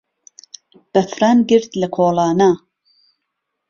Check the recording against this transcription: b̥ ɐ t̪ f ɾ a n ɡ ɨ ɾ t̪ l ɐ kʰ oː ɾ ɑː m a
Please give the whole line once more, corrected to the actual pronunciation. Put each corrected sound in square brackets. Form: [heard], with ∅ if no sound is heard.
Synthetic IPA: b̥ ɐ [∅] f ɾ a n ɡ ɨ ɾ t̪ l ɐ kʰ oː [l] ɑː [n] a